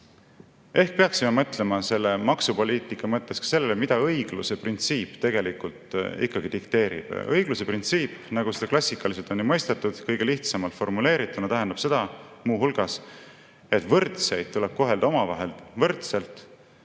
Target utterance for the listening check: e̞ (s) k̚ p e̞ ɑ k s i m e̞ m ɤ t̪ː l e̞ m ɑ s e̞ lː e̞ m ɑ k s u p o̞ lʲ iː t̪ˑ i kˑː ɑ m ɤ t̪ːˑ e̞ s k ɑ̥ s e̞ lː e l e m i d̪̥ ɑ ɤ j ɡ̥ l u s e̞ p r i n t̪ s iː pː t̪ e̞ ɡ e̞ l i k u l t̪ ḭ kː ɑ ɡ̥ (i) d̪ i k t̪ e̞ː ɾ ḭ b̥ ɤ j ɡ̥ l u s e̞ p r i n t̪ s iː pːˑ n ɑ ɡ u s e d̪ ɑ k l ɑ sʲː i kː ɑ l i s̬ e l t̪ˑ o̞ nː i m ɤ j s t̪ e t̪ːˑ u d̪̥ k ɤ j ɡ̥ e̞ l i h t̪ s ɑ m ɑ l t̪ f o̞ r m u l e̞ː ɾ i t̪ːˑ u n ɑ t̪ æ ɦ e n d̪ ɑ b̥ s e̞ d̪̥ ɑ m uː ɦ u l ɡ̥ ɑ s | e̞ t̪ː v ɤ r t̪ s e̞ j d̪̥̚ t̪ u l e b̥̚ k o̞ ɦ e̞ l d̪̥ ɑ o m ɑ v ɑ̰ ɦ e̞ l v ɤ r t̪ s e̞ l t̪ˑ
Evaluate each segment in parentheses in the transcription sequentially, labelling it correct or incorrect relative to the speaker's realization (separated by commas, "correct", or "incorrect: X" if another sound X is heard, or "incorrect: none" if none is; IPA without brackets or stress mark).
incorrect: h, correct